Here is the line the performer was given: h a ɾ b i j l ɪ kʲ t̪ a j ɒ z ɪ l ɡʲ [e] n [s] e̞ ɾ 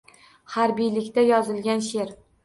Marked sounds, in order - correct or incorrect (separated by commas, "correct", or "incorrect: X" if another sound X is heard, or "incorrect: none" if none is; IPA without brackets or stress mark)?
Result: incorrect: a, incorrect: ʃ